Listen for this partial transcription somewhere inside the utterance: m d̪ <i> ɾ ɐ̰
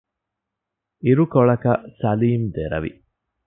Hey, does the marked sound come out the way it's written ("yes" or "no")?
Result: no